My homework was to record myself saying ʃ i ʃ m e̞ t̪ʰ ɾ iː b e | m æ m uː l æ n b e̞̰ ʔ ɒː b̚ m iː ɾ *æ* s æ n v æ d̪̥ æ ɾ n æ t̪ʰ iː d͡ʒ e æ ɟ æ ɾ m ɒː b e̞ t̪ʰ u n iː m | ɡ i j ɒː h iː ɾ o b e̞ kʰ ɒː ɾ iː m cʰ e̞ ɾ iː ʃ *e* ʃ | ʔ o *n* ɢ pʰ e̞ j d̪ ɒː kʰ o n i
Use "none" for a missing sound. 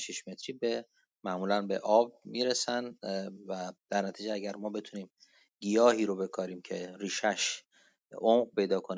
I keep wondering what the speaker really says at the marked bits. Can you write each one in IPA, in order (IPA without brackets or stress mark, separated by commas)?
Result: e, æ, m